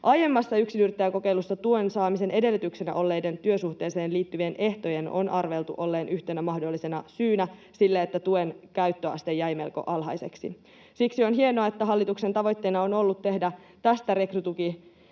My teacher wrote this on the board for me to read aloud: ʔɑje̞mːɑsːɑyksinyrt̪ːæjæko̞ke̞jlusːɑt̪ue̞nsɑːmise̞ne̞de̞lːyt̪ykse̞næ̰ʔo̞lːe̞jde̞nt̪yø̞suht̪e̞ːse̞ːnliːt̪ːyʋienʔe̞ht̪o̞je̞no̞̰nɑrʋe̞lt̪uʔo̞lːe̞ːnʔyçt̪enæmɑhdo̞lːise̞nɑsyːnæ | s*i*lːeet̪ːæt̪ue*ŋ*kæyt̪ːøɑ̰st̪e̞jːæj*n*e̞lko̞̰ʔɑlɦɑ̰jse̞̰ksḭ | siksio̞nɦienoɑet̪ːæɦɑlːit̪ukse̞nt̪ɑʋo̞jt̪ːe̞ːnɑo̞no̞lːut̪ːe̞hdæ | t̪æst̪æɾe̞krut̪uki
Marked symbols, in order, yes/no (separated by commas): yes, no, no